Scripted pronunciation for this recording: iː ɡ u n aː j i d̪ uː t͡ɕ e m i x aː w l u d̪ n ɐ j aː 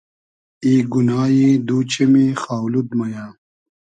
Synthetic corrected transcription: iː ɡ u n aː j i d̪ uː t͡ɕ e m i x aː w l u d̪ m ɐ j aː